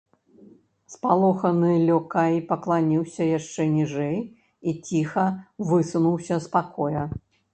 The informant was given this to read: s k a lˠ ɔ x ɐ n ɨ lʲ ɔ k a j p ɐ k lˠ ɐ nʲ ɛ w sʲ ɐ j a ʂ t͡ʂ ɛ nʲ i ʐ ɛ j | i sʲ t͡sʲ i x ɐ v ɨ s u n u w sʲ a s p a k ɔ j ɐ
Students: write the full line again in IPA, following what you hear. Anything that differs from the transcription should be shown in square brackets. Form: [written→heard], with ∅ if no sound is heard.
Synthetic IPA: s [k→p] a lˠ ɔ x ɐ n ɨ lʲ ɔ k a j p ɐ k lˠ [ɐ→a] nʲ [ɛ→i] w sʲ ɐ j a ʂ t͡ʂ ɛ nʲ i ʐ ɛ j | i [sʲ→∅] t͡sʲ i x ɐ v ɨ s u n u w sʲ [a→ɐ] s p a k ɔ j ɐ

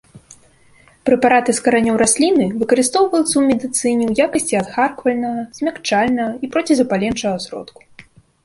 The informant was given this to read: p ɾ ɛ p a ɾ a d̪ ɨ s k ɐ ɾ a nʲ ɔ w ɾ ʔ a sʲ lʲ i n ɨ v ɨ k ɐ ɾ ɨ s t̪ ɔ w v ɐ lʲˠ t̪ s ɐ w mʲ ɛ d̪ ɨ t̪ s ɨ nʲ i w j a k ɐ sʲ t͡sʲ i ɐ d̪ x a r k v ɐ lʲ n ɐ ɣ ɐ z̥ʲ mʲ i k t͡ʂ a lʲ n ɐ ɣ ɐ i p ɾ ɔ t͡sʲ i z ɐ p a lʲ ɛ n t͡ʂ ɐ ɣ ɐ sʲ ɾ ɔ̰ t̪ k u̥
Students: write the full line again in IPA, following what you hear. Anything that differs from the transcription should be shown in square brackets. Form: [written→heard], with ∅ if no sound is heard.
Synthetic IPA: p ɾ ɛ p a ɾ a [d̪→t̪] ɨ s k ɐ ɾ a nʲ ɔ w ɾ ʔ a sʲ lʲ i n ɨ v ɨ k ɐ ɾ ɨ s t̪ ɔ w v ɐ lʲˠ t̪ s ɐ w mʲ ɛ d̪ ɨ t̪ s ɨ nʲ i w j a k ɐ sʲ t͡sʲ i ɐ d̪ x a r k v ɐ lʲ n ɐ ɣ ɐ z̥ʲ mʲ [i→a] k t͡ʂ a lʲ n ɐ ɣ ɐ i p ɾ ɔ t͡sʲ i z ɐ p a lʲ ɛ n t͡ʂ ɐ ɣ ɐ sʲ ɾ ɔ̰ t̪ k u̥

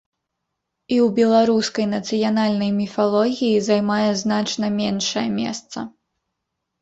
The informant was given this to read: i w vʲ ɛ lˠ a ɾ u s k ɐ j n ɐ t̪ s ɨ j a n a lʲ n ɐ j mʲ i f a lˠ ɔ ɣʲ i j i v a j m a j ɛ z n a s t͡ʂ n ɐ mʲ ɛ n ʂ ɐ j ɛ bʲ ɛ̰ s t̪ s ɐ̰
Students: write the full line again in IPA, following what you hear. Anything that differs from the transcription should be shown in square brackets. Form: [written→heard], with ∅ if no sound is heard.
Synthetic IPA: i w [vʲ→bʲ] ɛ lˠ a ɾ u s k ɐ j n ɐ t̪ s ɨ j a n a lʲ n ɐ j mʲ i f a lˠ ɔ ɣʲ i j i [v→z] a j m a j ɛ z n a [s→∅] t͡ʂ n ɐ mʲ ɛ n ʂ ɐ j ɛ [bʲ→mʲ] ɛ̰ s t̪ s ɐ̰

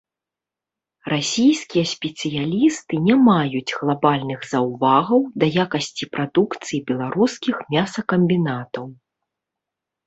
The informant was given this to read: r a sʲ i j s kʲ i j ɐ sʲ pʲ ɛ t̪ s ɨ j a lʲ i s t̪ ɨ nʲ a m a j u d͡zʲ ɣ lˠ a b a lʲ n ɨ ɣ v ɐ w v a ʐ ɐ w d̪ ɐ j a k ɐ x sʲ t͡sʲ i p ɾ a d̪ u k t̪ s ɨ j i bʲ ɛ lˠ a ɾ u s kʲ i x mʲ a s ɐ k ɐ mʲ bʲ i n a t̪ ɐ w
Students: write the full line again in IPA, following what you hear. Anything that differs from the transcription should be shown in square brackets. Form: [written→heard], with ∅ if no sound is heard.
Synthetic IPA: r a sʲ i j s kʲ i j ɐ sʲ pʲ ɛ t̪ s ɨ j a lʲ i s t̪ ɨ nʲ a m a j u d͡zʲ ɣ lˠ a b a lʲ n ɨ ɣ [v→z] ɐ w v a [ʐ→ɣ] ɐ w d̪ ɐ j a k ɐ [x→∅] sʲ t͡sʲ i p ɾ a d̪ u k t̪ s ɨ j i bʲ ɛ lˠ a ɾ u s kʲ i x mʲ a s ɐ k ɐ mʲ bʲ i n a t̪ ɐ w

